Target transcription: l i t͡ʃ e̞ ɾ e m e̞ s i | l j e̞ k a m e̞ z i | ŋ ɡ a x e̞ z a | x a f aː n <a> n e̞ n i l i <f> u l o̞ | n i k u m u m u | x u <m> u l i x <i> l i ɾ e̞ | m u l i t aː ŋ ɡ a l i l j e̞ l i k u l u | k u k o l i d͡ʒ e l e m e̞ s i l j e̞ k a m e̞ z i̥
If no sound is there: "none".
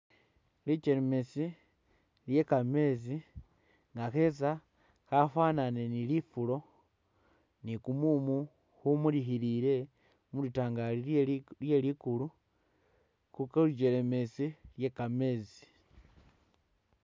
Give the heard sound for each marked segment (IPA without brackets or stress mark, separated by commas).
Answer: a, f, m, i